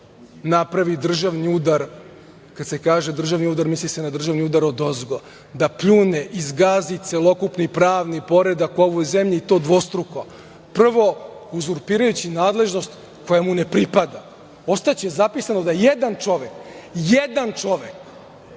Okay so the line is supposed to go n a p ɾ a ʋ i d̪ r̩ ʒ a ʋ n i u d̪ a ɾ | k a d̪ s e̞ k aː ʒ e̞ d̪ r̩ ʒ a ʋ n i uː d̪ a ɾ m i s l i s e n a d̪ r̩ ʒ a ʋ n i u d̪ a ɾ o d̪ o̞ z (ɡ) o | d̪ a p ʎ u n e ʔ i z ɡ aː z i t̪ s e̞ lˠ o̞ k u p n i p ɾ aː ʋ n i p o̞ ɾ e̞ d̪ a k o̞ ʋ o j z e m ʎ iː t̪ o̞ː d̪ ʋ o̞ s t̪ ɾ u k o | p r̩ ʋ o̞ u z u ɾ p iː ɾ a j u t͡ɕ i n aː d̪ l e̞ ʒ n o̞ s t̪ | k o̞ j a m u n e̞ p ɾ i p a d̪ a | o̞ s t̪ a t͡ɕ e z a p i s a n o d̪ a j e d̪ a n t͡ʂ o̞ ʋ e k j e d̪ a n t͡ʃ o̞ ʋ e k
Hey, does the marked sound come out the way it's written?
yes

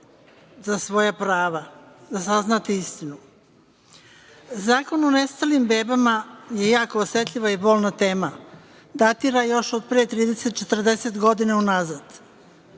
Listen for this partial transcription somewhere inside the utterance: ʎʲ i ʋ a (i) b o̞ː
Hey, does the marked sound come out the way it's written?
yes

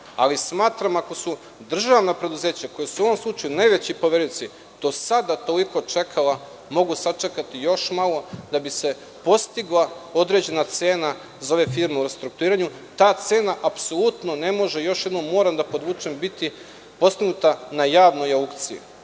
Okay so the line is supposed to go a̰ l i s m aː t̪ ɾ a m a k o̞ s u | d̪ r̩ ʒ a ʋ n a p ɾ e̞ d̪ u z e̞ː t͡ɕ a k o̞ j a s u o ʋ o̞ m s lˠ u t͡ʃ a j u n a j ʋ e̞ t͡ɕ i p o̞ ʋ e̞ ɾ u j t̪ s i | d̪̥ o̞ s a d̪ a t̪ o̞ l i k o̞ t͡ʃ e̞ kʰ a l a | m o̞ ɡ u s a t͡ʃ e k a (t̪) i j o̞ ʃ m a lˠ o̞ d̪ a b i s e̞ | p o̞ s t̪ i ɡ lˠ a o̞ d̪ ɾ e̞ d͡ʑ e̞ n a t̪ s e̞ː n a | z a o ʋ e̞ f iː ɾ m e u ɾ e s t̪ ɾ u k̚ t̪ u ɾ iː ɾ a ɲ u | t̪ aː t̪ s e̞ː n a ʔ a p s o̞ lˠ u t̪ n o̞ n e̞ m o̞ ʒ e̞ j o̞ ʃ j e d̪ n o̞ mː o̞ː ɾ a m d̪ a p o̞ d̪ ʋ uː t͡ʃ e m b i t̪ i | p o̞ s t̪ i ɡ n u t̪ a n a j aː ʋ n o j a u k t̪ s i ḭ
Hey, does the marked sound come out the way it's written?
yes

